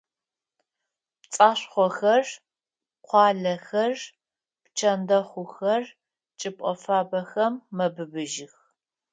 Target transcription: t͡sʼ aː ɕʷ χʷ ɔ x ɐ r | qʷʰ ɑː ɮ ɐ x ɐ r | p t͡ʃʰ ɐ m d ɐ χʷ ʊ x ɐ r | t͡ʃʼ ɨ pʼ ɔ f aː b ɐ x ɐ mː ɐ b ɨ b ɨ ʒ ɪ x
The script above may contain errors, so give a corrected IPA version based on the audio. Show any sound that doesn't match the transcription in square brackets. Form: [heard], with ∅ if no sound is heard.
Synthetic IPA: t͡sʼ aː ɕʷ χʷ ɔ x ɐ r | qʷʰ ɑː ɮ ɐ x ɐ r | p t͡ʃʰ ɐ [n] d ɐ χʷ ʊ x ɐ r | t͡ʃʼ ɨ pʼ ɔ f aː b ɐ x ɐ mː ɐ b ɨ b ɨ ʒ ɪ x

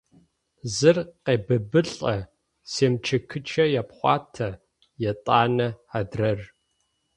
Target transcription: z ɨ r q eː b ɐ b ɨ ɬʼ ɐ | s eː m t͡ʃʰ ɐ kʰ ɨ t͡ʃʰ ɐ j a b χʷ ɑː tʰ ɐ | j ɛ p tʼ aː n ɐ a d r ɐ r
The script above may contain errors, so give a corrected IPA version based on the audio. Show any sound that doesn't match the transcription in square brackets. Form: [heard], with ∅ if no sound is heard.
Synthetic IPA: z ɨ r q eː b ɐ b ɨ ɬʼ ɐ | s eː m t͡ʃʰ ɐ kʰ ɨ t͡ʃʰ ɐ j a [p] χʷ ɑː tʰ ɐ | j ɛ [∅] tʼ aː n ɐ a d r ɐ r

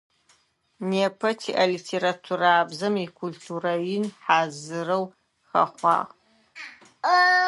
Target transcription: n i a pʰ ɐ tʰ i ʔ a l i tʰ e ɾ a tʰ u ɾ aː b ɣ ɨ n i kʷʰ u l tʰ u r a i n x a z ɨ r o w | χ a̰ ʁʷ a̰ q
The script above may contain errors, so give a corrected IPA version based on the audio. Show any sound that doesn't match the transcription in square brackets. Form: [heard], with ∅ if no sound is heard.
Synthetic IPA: n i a pʰ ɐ tʰ i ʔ a l i tʰ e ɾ a tʰ u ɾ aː b [z] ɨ [m] i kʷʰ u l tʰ u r a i n [ħ] a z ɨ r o w | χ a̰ [χʷ] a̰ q

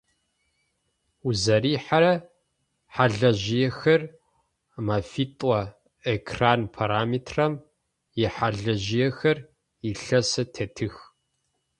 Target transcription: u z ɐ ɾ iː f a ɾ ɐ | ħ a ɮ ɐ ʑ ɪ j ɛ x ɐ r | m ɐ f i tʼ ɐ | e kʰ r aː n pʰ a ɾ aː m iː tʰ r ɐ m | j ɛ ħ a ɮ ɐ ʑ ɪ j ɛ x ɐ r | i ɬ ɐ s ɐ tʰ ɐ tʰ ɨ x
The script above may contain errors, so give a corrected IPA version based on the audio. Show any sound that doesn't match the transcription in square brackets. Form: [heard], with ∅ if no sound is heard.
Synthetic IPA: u z ɐ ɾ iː [ħ] a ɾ ɐ | ħ a ɮ ɐ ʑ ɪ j ɛ x ɐ r | m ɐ f i tʼ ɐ | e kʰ r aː n pʰ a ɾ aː m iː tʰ r ɐ m | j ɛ ħ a ɮ ɐ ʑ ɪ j ɛ x ɐ r | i ɬ ɐ s ɐ tʰ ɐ tʰ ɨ x

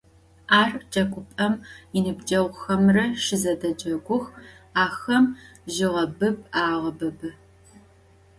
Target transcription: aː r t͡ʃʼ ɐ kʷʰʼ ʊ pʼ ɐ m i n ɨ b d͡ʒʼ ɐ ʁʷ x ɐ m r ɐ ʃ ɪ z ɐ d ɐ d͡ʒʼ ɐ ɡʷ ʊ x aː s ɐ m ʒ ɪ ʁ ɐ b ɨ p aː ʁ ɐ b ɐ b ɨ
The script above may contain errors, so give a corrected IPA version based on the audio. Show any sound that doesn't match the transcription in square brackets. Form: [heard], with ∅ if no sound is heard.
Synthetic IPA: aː r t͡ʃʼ ɐ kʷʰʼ ʊ pʼ ɐ m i n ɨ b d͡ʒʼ ɐ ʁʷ x ɐ m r ɐ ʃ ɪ z ɐ d ɐ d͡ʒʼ ɐ ɡʷ ʊ x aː [x] ɐ m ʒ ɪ ʁ ɐ b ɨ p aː ʁ ɐ b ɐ b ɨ

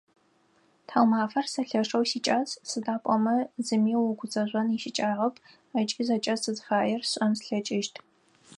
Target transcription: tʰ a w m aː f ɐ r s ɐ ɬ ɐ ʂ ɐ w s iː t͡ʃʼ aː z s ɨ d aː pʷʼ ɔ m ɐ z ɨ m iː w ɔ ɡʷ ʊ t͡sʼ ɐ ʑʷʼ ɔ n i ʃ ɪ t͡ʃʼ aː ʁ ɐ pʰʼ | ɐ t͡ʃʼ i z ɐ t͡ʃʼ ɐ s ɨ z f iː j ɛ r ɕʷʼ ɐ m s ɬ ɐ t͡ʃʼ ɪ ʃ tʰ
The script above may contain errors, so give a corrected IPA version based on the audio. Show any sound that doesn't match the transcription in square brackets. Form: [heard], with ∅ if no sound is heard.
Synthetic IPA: tʰ a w m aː f ɐ r s ɐ ɬ ɐ ʂ ɐ w s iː t͡ʃʼ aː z s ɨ d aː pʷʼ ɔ m ɐ z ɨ m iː w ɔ ɡʷ ʊ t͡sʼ ɐ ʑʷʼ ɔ n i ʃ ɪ t͡ʃʼ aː ʁ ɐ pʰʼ | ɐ t͡ʃʼ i z ɐ t͡ʃʼ ɐ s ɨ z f [aː] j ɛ r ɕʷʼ ɐ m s ɬ ɐ t͡ʃʼ ɪ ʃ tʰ

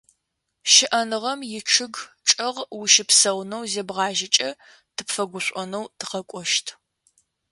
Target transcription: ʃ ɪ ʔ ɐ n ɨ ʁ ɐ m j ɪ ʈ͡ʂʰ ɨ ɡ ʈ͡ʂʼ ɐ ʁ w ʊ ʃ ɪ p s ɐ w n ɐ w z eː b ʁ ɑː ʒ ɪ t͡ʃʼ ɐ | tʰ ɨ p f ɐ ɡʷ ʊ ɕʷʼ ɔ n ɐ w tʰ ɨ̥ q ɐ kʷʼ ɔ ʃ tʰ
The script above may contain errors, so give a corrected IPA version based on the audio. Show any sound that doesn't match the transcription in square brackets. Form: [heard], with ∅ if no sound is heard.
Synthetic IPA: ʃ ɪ ʔ ɐ n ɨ ʁ ɐ m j ɪ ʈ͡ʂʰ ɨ ɡ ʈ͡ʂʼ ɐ ʁ w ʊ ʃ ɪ p s ɐ w n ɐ w z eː b ʁ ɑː ʒ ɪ t͡ʃʼ ɐ | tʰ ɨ p f ɐ ɡʷ ʊ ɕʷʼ ɔ n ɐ w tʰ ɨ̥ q ɐ kʷʼ ɔ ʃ tʰ

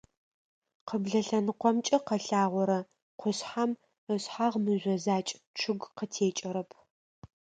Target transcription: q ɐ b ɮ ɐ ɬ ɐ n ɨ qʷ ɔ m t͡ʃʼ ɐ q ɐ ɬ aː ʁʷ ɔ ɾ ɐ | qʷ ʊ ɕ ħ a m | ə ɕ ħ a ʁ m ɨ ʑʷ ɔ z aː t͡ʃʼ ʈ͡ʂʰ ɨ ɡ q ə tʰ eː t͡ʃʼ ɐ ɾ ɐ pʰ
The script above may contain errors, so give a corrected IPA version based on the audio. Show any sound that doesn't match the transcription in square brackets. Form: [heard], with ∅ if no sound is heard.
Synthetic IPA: q [ə] b ɮ ɐ ɬ ɐ n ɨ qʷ ɔ m t͡ʃʼ ɐ q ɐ ɬ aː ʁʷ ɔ ɾ ɐ | qʷ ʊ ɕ ħ a m | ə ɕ ħ a ʁ m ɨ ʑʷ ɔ z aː t͡ʃʼ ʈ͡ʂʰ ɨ ɡ q ə tʰ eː t͡ʃʼ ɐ ɾ ɐ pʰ

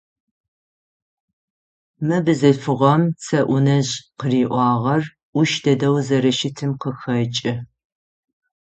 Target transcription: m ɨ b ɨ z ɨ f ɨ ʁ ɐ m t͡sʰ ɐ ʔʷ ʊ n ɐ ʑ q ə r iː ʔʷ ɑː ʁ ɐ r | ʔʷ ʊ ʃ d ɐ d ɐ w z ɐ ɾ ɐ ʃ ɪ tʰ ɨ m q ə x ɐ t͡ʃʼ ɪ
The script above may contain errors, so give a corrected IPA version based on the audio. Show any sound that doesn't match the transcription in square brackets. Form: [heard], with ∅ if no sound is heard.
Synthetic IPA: m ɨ b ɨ z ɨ f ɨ ʁ ɐ m t͡sʰ ɐ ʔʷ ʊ n ɐ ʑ q ə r iː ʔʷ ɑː ʁ ɐ r | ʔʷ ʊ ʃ d ɐ d ɐ w z ɐ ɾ ɐ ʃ ɪ tʰ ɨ m q ə x ɐ t͡ʃʼ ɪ

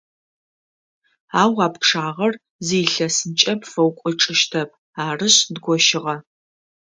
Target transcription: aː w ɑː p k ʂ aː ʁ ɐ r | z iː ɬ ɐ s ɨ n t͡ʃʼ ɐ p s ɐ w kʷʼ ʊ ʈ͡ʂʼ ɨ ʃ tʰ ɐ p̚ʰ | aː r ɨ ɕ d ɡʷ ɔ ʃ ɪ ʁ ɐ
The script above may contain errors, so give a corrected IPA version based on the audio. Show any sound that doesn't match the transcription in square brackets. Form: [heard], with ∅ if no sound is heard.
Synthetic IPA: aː w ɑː p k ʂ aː ʁ ɐ r | z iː ɬ ɐ s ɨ n t͡ʃʼ ɐ p [f] ɐ w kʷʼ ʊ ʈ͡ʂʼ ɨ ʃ tʰ ɐ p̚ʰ | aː r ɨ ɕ d ɡʷ ɔ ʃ ɪ ʁ ɐ

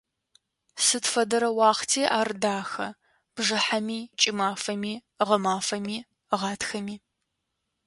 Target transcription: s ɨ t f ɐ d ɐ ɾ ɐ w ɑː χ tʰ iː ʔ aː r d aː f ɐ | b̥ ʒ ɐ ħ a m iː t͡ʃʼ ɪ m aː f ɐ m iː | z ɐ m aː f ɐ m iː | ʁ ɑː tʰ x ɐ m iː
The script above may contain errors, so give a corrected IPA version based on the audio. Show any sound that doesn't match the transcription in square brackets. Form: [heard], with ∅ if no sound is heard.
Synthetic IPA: s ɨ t f ɐ d ɐ ɾ ɐ w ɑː χ tʰ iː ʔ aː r d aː [x] ɐ | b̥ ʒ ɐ ħ a m iː t͡ʃʼ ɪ m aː f ɐ m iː | [ʁ] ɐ m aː f ɐ m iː | ʁ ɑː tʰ x ɐ m iː

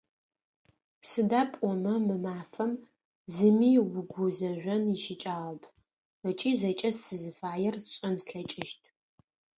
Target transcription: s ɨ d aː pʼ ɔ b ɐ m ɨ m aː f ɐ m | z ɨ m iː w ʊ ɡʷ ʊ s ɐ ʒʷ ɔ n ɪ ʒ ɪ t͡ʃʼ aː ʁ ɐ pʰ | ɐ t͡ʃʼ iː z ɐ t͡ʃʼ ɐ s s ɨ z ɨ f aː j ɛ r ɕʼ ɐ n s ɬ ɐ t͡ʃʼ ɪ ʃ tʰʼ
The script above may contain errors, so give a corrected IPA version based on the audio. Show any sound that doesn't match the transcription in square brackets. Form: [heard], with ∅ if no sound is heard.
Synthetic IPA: s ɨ d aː pʼ ɔ [m] ɐ m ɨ m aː f ɐ m | z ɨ m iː w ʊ ɡʷ ʊ [z] ɐ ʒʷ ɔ n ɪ [ʃ] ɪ t͡ʃʼ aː ʁ ɐ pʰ | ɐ t͡ʃʼ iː z ɐ t͡ʃʼ ɐ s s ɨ z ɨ f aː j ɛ r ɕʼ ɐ n s ɬ ɐ t͡ʃʼ ɪ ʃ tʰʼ

